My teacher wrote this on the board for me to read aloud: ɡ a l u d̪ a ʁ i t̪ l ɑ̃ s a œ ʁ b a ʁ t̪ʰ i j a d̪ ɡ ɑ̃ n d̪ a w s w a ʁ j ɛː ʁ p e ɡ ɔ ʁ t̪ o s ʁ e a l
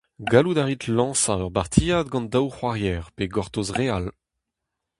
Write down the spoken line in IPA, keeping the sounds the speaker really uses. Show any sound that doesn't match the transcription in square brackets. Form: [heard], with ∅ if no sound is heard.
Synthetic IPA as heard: ɡ a l u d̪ a ʁ i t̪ l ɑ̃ s a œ ʁ b a ʁ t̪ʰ i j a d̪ ɡ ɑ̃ n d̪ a w [χ] w a ʁ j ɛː ʁ p e ɡ ɔ ʁ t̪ o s ʁ e a l

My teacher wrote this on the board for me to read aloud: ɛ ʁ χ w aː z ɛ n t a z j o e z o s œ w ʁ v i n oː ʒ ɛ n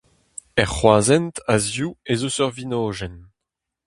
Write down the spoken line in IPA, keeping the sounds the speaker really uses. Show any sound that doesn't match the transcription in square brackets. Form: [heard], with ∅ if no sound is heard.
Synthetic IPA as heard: ɛ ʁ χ w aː z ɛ n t a z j [u] e z o s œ [∅] ʁ v i n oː ʒ ɛ n

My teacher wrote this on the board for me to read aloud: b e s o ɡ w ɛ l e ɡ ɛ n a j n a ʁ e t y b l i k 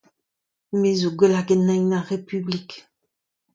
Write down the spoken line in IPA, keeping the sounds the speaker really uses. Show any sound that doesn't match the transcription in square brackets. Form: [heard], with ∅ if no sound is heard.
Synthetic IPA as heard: [m] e [z] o ɡ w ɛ l [a] ɡ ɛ n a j n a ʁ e [p] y b l i k

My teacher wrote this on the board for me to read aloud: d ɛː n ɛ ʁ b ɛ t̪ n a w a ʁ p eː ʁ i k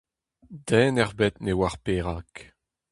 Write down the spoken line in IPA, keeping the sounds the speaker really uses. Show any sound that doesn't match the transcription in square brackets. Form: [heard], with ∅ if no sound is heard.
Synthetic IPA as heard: d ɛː n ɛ ʁ b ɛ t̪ n [e] w a ʁ p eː ʁ [a] k

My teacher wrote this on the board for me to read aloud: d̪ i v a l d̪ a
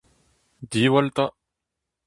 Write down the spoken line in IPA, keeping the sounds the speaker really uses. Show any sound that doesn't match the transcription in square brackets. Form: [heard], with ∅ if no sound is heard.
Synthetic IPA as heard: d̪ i [w] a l [t̪] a

